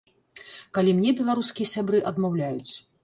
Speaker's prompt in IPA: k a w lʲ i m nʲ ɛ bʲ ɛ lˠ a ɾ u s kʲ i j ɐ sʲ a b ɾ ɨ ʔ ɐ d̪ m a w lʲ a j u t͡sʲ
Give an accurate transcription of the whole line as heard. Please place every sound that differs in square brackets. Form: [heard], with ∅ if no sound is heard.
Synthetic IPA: k a [∅] lʲ i m nʲ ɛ bʲ ɛ lˠ a ɾ u s kʲ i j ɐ sʲ a b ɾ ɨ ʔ ɐ d̪ m a w lʲ a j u t͡sʲ